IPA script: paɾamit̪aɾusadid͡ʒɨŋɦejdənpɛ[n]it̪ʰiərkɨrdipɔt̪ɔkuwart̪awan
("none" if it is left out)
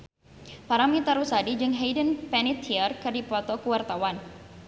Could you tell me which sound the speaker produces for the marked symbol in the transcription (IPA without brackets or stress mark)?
n